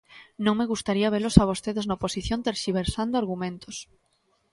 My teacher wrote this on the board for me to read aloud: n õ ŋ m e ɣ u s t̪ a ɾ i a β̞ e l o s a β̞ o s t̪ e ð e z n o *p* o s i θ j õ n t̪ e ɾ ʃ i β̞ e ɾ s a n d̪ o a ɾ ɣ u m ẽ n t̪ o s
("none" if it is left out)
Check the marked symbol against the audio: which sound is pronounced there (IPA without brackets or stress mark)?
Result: p